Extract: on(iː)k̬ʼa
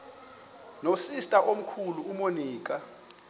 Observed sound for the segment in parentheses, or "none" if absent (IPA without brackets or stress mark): iː